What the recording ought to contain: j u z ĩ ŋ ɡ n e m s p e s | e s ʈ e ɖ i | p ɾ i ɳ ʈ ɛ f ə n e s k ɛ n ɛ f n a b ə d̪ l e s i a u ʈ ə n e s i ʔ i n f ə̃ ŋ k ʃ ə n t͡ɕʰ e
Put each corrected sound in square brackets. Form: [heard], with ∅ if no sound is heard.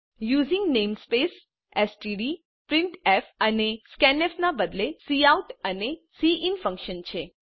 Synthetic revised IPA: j u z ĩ ŋ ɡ n e m s p e s | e s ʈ [i] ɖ i | p ɾ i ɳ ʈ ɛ f ə n e s k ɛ n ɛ f n a b ə d̪ l e s i a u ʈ ə n e s i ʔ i n f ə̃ ŋ k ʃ ə n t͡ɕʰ e